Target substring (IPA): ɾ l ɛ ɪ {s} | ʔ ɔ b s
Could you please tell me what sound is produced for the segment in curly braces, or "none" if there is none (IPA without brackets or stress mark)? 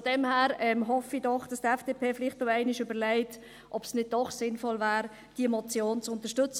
t